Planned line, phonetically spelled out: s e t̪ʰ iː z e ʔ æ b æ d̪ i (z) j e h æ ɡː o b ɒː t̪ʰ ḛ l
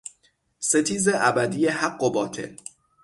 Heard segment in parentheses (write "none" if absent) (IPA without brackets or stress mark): none